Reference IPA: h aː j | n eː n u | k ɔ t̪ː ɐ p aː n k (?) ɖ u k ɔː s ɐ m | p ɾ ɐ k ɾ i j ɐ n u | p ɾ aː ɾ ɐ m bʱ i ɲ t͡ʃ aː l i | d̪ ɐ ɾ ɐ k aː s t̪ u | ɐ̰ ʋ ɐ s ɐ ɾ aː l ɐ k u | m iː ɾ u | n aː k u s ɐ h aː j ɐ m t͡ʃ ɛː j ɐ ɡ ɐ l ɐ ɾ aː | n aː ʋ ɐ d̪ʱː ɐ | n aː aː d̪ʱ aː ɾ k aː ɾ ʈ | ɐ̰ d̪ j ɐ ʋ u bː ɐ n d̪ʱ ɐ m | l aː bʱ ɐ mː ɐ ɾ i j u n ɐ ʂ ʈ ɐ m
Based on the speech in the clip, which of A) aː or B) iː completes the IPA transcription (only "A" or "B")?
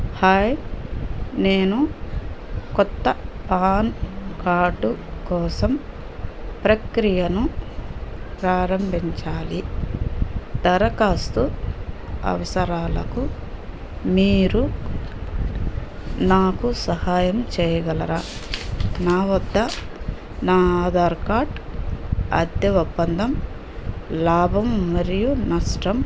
A